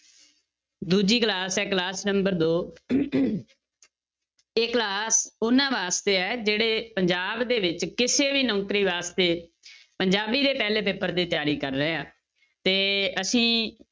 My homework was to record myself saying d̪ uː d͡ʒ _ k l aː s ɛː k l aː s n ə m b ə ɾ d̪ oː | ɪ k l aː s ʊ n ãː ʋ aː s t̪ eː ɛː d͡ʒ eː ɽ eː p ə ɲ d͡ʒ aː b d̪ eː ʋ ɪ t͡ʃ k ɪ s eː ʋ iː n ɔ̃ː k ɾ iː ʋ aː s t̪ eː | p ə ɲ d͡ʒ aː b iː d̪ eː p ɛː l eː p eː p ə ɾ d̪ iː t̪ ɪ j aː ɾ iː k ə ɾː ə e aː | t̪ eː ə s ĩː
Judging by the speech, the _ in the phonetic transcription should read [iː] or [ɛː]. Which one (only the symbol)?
iː